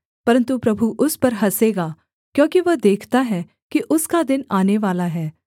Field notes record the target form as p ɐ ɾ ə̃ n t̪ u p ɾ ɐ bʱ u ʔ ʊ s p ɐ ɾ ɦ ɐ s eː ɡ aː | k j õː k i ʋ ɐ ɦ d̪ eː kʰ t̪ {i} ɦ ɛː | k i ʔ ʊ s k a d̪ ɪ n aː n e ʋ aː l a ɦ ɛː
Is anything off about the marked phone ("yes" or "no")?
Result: yes